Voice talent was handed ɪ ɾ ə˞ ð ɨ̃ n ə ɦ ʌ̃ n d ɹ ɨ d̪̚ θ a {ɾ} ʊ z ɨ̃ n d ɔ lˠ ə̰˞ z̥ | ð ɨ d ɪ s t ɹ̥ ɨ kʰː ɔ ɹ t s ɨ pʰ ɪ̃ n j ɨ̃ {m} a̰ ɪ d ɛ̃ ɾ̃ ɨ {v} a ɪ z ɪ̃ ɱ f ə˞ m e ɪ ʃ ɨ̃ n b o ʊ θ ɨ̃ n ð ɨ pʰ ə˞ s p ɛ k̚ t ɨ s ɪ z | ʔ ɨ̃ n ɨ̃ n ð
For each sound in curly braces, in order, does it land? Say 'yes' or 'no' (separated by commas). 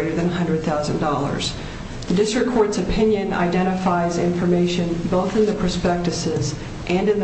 no, no, no